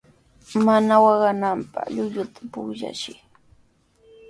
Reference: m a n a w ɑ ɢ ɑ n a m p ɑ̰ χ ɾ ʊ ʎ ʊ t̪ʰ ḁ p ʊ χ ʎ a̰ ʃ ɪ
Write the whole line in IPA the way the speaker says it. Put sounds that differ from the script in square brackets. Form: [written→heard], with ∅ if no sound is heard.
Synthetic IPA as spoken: m a n a w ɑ ɢ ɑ n a m p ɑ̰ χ [ɾ→ʎ] ʊ ʎ ʊ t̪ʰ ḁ p ʊ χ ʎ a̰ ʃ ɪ